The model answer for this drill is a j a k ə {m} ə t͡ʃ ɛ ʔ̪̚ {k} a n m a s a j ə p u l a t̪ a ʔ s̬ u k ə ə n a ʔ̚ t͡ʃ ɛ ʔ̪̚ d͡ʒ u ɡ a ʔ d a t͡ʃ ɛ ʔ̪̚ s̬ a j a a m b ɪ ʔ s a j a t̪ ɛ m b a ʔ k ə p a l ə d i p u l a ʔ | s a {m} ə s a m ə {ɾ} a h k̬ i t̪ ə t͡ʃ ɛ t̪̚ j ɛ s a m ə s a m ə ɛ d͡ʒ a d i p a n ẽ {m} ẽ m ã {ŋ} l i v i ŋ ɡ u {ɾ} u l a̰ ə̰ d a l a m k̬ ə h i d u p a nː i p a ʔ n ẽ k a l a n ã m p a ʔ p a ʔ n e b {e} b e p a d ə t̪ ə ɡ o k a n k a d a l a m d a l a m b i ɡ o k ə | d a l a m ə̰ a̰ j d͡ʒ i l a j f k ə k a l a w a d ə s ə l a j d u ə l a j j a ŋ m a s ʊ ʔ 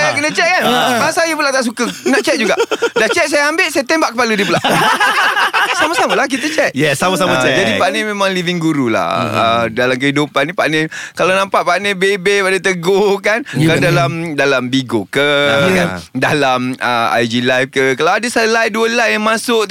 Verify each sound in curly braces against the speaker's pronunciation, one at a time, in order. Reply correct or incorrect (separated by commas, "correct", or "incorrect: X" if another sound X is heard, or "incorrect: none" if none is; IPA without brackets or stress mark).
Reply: incorrect: n, correct, correct, incorrect: l, correct, correct, correct, correct